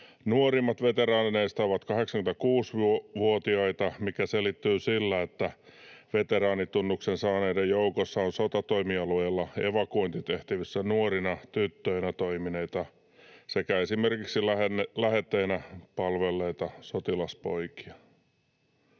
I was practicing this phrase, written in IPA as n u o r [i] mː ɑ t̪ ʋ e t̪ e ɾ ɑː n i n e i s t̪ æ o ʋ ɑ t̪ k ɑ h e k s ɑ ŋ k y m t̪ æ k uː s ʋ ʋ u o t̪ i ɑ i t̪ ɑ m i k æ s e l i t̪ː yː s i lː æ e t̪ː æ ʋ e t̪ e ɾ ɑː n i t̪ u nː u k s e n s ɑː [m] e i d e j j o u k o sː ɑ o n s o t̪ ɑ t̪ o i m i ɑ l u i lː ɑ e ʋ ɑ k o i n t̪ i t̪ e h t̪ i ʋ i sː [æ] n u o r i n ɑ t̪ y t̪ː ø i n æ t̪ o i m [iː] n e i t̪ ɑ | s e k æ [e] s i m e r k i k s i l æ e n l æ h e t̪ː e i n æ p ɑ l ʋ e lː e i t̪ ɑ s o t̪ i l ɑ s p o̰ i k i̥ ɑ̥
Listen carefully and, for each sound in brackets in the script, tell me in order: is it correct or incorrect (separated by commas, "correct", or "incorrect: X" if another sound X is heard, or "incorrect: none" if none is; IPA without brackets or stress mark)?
correct, incorrect: n, correct, incorrect: i, correct